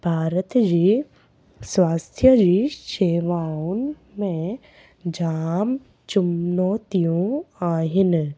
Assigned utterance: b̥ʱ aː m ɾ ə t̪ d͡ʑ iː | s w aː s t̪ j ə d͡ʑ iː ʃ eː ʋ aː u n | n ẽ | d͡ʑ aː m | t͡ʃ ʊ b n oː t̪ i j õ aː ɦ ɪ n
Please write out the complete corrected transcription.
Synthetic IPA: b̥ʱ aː ɾ ə t̪ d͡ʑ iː | s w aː s t̪ʰ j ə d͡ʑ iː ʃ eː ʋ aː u n | m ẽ | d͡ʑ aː m | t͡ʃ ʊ m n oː t̪ i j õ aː ɦ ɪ n